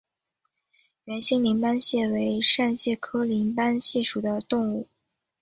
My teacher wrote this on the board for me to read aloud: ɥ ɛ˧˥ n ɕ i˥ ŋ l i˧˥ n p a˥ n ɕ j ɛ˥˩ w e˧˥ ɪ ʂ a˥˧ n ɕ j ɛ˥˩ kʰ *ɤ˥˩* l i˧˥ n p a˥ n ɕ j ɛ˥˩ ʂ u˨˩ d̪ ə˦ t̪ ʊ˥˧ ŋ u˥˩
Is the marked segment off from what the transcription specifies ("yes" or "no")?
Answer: yes